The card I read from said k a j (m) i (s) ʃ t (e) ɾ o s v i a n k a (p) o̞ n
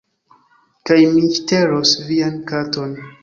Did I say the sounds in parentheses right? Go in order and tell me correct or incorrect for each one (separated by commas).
correct, incorrect, correct, incorrect